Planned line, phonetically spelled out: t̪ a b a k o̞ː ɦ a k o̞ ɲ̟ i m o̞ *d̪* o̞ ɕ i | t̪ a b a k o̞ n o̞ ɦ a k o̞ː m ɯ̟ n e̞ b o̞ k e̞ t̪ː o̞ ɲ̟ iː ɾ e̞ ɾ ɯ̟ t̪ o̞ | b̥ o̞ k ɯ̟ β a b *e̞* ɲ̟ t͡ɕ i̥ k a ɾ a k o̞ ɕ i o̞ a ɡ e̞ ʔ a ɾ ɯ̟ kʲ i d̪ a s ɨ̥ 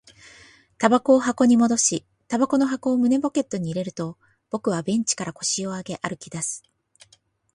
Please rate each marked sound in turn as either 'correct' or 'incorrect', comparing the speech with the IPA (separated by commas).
correct, incorrect